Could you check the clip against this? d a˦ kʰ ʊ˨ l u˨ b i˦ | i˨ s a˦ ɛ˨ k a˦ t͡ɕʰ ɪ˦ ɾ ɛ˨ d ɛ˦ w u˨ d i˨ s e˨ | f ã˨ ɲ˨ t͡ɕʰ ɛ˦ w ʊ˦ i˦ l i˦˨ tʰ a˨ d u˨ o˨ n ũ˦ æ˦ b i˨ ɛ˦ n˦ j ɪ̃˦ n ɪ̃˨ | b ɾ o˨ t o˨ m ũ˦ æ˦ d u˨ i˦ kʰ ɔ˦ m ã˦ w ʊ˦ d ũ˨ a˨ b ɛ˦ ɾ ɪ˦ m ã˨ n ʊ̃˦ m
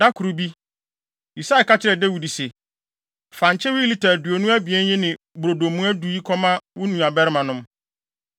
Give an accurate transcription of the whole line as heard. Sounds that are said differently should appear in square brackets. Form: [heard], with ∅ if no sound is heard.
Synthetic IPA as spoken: d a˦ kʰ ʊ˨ [ɾ] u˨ b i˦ | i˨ s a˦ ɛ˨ k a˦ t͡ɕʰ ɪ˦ ɾ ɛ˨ d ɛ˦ w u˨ d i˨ s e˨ | f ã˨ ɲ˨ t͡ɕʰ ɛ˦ w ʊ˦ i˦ l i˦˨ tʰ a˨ d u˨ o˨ n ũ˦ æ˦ b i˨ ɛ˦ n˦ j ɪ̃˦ n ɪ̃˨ | b ɾ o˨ [d] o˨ m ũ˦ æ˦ d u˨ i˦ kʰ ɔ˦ m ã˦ w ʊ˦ [n] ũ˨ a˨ b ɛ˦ ɾ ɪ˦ m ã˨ n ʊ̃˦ m

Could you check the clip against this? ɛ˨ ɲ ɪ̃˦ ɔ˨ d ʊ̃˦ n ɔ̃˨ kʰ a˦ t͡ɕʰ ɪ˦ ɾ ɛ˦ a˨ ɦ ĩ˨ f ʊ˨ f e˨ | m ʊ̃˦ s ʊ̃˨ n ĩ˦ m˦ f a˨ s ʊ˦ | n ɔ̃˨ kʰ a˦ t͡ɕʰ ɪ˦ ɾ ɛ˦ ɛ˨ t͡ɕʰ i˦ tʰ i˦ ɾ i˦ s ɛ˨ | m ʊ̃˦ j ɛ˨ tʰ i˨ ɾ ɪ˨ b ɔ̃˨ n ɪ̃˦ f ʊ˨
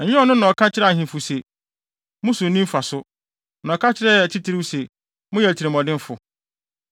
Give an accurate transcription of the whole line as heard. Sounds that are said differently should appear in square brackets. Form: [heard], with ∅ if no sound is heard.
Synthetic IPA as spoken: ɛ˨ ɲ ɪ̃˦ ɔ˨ [n] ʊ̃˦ n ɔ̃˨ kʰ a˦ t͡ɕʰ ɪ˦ ɾ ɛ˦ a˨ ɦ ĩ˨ f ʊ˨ [s] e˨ | m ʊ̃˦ s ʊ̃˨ n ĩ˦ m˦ f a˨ s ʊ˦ | n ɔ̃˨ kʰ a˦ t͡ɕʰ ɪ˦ ɾ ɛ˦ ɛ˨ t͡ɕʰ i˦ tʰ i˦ ɾ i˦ s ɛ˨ | m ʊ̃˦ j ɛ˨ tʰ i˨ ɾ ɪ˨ [m] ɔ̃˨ [d] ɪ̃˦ f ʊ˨

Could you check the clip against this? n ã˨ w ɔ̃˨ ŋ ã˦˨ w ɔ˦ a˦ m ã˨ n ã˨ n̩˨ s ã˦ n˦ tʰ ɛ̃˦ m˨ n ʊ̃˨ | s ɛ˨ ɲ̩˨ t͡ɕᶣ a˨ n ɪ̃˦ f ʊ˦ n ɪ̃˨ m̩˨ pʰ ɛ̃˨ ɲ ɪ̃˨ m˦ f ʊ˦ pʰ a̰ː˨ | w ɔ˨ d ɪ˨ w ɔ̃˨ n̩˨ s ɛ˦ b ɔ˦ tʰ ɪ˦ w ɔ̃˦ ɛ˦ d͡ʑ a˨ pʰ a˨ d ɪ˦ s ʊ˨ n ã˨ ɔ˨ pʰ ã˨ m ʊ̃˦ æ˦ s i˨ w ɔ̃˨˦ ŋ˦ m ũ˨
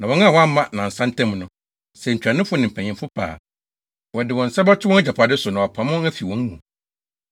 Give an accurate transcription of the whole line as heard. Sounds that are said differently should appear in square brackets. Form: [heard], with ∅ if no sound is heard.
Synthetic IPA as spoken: n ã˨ w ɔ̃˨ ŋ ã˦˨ w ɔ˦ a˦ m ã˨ n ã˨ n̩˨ s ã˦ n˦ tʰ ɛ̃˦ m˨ n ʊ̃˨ | s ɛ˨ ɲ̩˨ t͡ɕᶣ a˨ n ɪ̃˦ f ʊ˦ n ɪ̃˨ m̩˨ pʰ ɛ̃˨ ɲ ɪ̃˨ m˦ f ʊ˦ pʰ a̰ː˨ | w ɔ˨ d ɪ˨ w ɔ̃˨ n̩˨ s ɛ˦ b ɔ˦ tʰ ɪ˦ w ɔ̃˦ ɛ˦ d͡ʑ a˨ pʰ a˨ d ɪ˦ s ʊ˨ n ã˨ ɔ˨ pʰ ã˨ m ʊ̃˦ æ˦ [f] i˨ w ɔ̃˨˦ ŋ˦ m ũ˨

